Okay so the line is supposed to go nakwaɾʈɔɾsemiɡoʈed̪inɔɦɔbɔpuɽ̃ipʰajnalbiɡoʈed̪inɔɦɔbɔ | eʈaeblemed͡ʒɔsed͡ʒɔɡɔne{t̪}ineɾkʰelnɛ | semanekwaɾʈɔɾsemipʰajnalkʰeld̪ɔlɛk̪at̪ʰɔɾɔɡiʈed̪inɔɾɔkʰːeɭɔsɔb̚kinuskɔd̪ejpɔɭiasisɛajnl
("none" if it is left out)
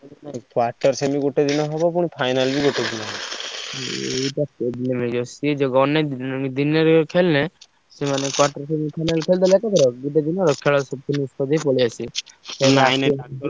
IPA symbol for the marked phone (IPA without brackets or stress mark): d̪